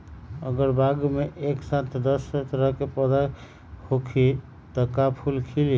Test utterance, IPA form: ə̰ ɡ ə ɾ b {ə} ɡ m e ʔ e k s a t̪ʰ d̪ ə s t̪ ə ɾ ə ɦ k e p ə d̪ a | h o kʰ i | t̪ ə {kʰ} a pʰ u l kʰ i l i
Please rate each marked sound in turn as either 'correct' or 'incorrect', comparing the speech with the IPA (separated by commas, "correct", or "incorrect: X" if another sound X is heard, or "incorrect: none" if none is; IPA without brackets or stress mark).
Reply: incorrect: a, incorrect: k